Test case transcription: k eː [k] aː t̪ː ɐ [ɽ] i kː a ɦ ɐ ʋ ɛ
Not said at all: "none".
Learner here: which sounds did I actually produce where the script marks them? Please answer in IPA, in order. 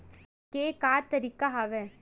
k, ɾ

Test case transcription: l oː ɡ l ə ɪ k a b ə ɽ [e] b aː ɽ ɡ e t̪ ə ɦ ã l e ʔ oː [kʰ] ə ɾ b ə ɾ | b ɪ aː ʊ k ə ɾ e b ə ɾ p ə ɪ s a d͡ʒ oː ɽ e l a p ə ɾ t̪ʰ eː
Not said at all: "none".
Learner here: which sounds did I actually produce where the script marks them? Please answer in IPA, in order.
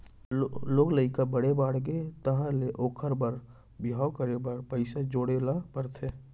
e, kʰ

